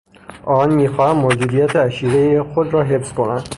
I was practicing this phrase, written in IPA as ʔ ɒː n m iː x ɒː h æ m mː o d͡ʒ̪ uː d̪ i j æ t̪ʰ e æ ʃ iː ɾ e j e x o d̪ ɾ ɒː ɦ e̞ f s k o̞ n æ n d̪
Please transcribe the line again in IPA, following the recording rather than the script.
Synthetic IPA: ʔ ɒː n m iː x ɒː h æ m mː o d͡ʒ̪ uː d̪ i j æ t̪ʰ e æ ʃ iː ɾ e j e x o d̪ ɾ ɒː ɦ e̞ f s k o̞ n æ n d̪